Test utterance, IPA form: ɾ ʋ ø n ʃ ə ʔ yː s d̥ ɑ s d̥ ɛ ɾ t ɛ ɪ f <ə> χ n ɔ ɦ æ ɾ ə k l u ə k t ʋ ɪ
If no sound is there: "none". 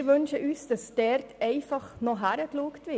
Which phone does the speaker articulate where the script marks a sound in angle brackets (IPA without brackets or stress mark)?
ɑ